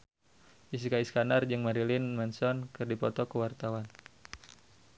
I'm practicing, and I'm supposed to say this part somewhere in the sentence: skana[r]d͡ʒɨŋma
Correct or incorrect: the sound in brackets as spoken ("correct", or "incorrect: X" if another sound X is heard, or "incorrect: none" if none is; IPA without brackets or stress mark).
correct